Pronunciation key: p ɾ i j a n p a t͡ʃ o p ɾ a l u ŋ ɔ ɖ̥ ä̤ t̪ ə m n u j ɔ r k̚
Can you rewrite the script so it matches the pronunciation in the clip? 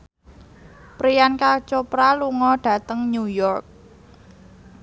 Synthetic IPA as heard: p ɾ i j a n k a t͡ʃ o p ɾ a l u ŋ ɔ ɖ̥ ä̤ t̪ ə ŋ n u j ɔ r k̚

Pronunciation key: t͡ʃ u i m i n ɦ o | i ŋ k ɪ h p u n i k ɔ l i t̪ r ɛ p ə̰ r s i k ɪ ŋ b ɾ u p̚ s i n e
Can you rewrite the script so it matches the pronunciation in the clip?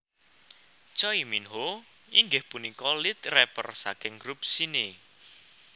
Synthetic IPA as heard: t͡ʃ ɔ i m i n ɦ o | i ŋ ɡ ɪ h p u n i k ɔ l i t̪ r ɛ p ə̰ r s a k ɪ ŋ ɡ ɾ u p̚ s i n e

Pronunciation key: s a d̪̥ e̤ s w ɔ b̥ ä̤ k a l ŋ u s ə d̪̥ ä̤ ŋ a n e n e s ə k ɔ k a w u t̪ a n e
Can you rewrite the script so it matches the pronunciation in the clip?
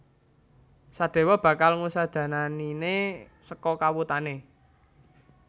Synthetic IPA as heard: s a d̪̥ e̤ w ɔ b̥ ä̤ k a l ŋ u s a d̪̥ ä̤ n a n i n e s ə k ɔ k a w u t̪ a n e

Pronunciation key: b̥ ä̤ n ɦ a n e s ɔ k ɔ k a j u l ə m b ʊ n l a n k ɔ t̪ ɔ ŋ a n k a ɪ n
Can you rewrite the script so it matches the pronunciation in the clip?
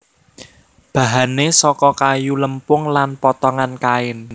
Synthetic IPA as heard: b̥ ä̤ ɦ a n e s ɔ k ɔ k a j u l ə m p ʊ ŋ l a n p ɔ t̪ ɔ ŋ a n k a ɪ n

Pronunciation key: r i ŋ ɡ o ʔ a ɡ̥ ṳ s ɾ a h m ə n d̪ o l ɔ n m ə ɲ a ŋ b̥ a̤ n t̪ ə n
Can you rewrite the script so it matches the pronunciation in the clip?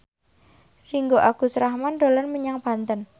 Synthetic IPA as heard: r i ŋ ɡ o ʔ a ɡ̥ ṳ s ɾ a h m a n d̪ o l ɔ n m ə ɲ a ŋ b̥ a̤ n t̪ ə n

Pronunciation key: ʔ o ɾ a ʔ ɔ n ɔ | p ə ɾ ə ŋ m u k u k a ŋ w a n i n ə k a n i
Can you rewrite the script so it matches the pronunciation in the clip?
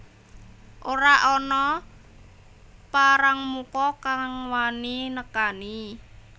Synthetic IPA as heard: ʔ o ɾ a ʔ ɔ n ɔ | p a ɾ a ŋ m u k ɔ k a ŋ w a n i n ə k a n i

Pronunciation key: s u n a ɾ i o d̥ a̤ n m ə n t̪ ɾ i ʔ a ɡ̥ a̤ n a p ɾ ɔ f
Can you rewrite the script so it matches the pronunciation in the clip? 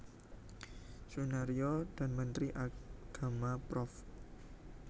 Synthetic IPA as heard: s u n a ɾ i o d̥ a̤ n m ə n t̪ ɾ i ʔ a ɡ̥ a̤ m a p ɾ ɔ f

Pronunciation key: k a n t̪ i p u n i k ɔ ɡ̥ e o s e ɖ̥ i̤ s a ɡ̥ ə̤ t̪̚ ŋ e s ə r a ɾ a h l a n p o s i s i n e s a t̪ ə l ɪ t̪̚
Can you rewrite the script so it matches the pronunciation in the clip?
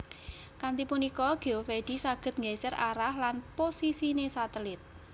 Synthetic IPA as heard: k a n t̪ i p u n i k ɔ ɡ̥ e o f e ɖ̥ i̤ s a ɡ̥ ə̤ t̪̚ ŋ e s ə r a ɾ a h l a n p o s i s i n e s a t̪ ə l ɪ t̪̚

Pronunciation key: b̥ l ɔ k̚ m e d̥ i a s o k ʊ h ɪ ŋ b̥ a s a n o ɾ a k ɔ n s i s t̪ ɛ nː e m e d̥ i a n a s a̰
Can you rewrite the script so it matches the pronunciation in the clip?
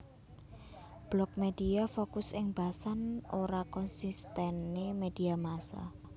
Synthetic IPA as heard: b̥ l ɔ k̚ m e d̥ i a f o k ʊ s ɪ ŋ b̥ a s a n o ɾ a k ɔ n s i s t̪ ɛ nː e m e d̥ i a m a s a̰

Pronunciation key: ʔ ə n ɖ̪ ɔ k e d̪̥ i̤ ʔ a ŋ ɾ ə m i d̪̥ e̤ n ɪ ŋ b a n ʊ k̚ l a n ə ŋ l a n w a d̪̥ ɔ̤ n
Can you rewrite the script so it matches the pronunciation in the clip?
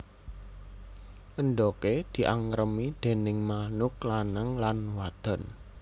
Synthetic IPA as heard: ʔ ə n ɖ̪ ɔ k e d̪̥ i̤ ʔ a ŋ ɾ ə m i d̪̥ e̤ n ɪ ŋ m a n ʊ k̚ l a n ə ŋ l a n w a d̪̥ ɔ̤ n

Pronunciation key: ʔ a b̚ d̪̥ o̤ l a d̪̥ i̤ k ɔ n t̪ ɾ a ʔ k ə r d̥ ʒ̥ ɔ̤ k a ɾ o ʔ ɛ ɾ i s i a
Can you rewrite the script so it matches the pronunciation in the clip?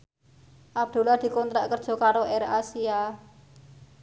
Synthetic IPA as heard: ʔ a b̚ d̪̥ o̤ l a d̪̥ i̤ k ɔ n t̪ ɾ a ʔ k ə r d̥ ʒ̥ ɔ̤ k a ɾ o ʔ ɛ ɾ a s i a

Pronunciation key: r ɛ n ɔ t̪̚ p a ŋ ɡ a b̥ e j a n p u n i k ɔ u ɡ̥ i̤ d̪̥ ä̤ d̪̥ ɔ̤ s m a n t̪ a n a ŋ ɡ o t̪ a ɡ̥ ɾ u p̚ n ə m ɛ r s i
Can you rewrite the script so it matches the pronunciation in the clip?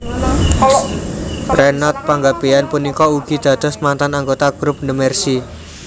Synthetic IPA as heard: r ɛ n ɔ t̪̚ p a ŋ ɡ a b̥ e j a n p u n i k ɔ u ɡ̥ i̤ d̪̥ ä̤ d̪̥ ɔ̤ s m a n t̪ a n a ŋ ɡ o t̪ a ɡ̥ ɾ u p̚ n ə m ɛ r s i

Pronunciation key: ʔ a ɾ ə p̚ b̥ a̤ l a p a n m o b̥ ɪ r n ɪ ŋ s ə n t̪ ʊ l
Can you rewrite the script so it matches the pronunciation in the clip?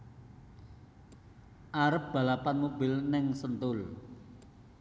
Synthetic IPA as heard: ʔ a ɾ ə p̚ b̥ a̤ l a p a n m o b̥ ɪ l n ɪ ŋ s ə n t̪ ʊ l

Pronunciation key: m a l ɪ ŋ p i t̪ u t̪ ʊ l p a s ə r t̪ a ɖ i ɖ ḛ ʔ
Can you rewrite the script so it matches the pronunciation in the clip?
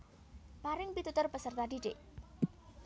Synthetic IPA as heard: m a ɾ ɪ ŋ p i t̪ u t̪ ʊ r p ə s ə r t̪ a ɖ i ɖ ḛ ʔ

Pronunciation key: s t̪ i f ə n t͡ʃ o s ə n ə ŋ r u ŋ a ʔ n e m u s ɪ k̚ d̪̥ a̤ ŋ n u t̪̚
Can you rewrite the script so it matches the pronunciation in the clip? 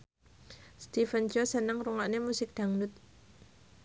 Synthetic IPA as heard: s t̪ i f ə n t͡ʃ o s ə n ə ŋ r u ŋ a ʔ n e m u s ɪ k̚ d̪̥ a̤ ŋ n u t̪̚

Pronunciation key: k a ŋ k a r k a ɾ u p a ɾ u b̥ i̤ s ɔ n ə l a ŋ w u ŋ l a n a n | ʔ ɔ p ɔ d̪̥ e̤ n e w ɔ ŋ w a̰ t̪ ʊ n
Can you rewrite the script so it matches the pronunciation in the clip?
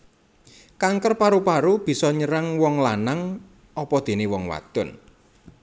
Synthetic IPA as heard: k a ŋ k ə r p a ɾ u p a ɾ u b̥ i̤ s ɔ ɲ ə ɾ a ŋ w ɔ ŋ l a n a ŋ | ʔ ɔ p ɔ d̪̥ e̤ n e w ɔ ŋ w a̰ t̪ ʊ n

